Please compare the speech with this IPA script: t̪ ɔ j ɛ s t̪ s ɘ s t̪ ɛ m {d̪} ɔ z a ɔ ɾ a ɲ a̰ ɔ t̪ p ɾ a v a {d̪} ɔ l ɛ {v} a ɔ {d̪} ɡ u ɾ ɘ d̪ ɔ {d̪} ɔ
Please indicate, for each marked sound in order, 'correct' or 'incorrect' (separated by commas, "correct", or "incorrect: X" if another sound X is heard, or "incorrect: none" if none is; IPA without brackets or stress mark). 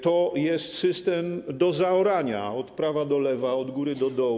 correct, correct, correct, correct, correct